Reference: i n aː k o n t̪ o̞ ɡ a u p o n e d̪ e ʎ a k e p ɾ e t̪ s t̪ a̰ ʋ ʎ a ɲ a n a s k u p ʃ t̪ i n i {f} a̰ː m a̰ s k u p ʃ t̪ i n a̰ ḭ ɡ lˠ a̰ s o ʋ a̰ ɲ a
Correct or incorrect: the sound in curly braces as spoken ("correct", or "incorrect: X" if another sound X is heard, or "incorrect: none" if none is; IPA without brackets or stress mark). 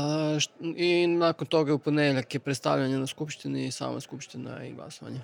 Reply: incorrect: s